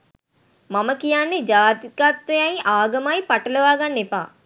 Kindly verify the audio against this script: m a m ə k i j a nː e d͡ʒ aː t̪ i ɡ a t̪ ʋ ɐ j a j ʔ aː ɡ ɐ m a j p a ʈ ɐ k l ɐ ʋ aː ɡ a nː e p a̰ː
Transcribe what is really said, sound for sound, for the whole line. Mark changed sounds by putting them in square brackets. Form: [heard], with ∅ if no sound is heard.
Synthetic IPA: m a m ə k i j a nː e d͡ʒ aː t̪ i [k] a t̪ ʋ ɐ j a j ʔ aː ɡ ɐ m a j p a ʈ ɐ [∅] l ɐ ʋ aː ɡ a nː e p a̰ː